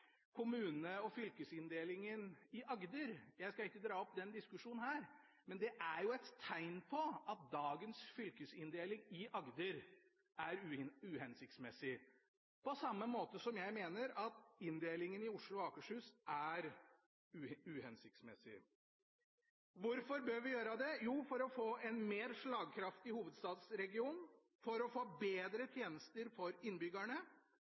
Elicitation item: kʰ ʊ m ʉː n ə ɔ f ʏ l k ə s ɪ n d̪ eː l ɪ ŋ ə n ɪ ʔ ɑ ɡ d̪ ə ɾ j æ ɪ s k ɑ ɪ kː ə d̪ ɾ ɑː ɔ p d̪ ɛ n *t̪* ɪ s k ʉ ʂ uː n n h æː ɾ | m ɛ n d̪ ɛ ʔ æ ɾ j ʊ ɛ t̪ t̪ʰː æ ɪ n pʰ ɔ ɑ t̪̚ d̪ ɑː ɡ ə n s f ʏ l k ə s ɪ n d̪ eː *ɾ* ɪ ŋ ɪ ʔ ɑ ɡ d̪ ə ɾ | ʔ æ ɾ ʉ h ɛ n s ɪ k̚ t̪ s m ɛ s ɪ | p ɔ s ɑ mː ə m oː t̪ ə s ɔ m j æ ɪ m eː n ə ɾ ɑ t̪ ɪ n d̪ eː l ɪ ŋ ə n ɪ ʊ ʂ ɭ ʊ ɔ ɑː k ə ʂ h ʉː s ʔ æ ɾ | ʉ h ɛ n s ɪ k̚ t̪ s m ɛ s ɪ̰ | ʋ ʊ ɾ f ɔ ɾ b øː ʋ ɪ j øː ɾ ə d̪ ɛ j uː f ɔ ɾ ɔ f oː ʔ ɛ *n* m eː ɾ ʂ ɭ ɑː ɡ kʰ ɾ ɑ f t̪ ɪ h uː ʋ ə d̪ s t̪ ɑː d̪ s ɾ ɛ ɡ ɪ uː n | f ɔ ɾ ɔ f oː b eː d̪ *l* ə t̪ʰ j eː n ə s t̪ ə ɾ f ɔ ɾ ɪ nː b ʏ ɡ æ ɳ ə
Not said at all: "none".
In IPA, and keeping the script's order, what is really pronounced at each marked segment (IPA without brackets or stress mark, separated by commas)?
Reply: d̪, l, n, ɾ